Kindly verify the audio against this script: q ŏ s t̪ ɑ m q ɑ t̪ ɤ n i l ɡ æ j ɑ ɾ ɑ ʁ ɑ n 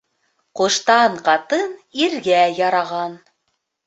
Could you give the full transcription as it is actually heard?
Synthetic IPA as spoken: q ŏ ʃ t̪ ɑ ɴ q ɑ t̪ ɤ n i ɾ ɡ æ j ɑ ɾ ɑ ʁ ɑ n